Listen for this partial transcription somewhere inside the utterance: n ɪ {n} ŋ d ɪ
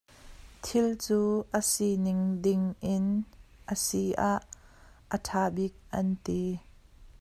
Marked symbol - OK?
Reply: no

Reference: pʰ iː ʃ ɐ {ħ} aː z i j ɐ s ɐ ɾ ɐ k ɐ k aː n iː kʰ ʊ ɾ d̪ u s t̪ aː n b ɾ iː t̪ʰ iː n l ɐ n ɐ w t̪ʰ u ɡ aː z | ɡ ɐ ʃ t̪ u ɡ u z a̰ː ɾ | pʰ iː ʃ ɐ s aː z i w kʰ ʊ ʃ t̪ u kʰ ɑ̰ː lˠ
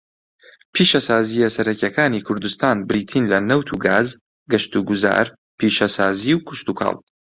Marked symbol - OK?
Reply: no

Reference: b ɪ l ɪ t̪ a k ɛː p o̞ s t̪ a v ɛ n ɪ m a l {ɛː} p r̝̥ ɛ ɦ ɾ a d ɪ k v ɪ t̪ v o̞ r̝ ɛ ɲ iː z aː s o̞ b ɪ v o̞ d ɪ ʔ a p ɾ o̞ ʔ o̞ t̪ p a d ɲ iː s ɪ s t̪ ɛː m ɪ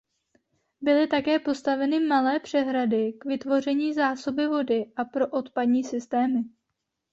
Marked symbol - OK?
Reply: yes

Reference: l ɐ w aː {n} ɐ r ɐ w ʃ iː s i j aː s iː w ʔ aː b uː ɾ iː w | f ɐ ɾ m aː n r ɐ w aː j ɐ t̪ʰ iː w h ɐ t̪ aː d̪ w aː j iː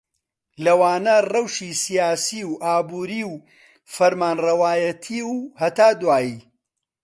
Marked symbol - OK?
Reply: yes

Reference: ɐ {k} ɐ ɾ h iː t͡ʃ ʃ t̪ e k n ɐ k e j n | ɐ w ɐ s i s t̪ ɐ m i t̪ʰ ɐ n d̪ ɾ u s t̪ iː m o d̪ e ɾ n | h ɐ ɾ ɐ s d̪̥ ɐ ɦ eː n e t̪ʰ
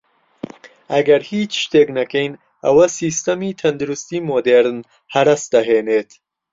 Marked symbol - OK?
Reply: no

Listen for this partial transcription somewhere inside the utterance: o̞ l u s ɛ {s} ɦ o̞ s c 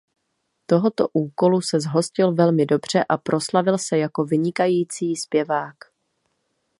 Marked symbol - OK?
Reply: no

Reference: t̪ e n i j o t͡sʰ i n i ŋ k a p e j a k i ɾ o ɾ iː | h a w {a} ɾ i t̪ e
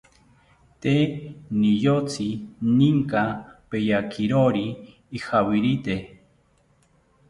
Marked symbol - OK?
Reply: no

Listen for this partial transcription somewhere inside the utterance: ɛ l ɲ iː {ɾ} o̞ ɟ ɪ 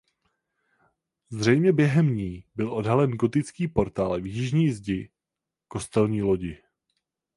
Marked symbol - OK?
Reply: no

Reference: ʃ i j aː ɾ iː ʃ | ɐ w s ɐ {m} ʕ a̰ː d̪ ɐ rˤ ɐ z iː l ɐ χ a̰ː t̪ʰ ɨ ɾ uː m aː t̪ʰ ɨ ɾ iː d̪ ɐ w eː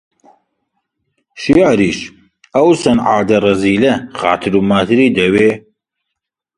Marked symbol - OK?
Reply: no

